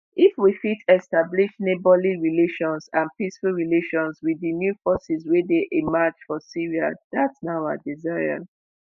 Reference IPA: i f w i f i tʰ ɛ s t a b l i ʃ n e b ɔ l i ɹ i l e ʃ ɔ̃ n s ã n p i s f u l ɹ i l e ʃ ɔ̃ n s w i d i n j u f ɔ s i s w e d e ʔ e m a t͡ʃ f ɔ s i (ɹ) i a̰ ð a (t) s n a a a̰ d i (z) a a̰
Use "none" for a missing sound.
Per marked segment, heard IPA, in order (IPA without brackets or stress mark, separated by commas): ɹ, t, z